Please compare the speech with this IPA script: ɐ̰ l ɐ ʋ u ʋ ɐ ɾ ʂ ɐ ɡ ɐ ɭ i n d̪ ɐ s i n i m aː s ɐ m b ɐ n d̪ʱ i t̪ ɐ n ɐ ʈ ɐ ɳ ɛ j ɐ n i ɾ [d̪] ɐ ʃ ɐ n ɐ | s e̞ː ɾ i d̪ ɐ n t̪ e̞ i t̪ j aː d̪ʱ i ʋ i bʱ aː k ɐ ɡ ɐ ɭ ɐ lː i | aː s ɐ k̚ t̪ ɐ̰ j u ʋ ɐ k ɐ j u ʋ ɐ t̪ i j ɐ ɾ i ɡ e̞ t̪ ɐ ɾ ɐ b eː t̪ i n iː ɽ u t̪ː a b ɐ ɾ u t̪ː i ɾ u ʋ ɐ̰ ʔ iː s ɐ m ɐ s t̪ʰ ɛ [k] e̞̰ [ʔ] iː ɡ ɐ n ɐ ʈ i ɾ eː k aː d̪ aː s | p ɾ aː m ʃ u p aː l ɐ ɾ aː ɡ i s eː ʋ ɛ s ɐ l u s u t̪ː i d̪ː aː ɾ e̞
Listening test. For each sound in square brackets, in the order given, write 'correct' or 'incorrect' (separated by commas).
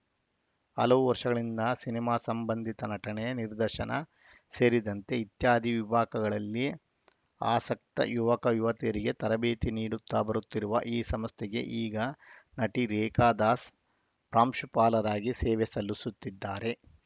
correct, incorrect, correct